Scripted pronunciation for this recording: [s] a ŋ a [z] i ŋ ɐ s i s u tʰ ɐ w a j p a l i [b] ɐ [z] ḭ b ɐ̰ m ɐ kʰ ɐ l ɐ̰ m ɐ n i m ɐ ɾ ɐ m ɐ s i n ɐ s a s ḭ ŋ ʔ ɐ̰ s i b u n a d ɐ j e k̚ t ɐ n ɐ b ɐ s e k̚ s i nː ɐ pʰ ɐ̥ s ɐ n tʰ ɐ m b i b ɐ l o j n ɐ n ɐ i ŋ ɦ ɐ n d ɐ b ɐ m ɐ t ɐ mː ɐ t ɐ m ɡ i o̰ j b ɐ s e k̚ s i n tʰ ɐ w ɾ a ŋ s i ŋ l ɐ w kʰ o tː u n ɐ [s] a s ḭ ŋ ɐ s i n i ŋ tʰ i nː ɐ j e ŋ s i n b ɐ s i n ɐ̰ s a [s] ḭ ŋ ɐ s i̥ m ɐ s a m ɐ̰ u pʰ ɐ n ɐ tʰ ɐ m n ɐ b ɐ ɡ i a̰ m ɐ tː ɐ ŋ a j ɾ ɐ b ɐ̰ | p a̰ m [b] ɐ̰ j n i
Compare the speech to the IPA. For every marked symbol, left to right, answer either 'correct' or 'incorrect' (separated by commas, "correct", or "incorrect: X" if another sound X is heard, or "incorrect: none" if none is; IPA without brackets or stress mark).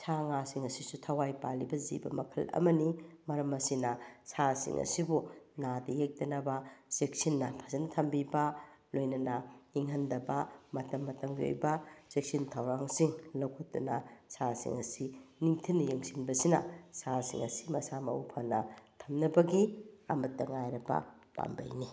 correct, incorrect: s, correct, correct, correct, correct, correct